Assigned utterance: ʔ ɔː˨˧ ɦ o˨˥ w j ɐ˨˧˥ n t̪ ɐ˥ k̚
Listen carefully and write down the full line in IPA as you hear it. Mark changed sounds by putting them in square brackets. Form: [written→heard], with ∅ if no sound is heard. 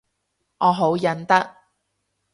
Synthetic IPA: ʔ ɔː˨˧ ɦ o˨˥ w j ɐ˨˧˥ n t̪ ɐ˥ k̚